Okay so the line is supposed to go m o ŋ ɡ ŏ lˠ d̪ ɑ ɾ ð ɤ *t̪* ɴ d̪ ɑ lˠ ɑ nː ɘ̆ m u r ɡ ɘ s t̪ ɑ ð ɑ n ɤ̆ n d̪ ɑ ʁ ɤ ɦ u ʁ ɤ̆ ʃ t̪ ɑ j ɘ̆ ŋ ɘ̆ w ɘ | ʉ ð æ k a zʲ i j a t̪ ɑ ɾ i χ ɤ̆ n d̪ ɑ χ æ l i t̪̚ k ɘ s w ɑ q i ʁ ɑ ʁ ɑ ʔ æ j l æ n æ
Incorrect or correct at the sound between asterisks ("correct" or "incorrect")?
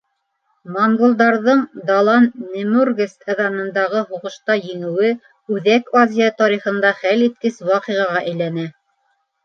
incorrect